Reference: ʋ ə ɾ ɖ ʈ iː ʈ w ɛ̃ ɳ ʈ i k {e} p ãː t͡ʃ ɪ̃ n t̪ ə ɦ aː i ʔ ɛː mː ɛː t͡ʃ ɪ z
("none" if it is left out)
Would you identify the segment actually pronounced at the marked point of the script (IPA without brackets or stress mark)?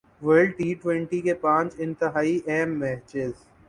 e